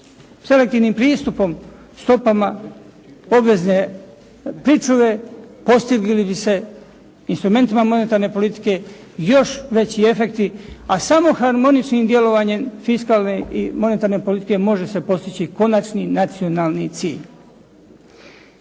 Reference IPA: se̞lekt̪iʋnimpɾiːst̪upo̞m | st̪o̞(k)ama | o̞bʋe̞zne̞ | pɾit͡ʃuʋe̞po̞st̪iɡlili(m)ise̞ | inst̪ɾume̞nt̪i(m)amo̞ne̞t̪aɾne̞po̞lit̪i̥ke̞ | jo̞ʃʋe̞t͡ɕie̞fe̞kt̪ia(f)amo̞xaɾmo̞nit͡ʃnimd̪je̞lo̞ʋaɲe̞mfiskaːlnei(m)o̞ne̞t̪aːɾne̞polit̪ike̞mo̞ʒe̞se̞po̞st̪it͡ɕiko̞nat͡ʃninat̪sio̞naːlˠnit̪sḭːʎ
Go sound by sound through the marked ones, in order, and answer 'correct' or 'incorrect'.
incorrect, incorrect, correct, incorrect, correct

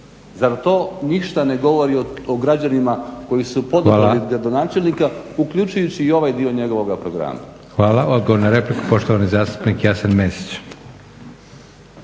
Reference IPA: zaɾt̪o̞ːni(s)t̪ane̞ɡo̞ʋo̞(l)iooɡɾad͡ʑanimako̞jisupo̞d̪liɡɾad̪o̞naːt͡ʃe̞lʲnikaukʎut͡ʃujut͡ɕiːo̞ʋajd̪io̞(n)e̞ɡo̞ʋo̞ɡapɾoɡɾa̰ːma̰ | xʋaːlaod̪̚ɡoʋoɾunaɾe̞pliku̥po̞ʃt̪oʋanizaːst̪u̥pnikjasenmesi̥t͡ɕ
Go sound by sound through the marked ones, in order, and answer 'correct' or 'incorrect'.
incorrect, incorrect, incorrect

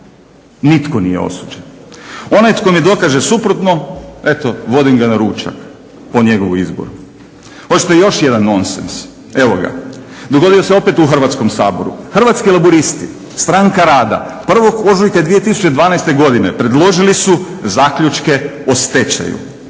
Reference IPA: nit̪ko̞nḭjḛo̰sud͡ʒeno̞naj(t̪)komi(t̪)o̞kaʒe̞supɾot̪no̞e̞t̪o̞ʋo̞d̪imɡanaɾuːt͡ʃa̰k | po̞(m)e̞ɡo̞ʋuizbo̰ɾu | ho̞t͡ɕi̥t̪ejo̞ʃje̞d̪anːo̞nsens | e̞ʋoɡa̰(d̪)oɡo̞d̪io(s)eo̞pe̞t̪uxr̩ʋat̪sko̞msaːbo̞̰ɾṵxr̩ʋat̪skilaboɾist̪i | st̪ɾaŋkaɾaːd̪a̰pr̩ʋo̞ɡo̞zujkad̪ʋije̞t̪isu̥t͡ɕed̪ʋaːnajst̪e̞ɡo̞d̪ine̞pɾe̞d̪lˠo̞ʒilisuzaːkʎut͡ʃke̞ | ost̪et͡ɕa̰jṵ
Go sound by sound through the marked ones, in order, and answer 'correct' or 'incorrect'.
correct, incorrect, incorrect, correct, correct

